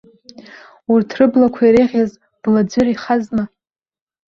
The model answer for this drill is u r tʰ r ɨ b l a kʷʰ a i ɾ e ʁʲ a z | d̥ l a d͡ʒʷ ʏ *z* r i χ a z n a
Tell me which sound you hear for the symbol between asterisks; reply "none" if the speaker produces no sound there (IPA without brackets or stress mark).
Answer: none